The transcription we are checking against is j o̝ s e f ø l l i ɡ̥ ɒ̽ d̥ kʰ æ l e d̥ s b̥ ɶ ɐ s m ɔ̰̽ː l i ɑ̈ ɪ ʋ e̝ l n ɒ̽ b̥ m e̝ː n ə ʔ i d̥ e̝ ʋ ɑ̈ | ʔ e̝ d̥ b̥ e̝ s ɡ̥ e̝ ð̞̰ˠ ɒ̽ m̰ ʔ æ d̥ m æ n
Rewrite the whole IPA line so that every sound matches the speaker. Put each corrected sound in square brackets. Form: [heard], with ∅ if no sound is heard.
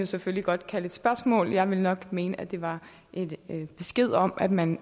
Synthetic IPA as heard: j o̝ s e f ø l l i ɡ̥ ɒ̽ d̥ kʰ æ l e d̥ s b̥ ɶ ɐ s m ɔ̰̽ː l [j] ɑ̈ ɪ ʋ e̝ l n ɒ̽ [ɡ̥] m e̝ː n ə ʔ [æ] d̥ e̝ ʋ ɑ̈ | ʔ e̝ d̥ b̥ e̝ s ɡ̥ e̝ ð̞̰ˠ ɒ̽ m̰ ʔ æ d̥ m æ n